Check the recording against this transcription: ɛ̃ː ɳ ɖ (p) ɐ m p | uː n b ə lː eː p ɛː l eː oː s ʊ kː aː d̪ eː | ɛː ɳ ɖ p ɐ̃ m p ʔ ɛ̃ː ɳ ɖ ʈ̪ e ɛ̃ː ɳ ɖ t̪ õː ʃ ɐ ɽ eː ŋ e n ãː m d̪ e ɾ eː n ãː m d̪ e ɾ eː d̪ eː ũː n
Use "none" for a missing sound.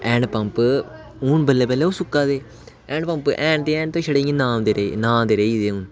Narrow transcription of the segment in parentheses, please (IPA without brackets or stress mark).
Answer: p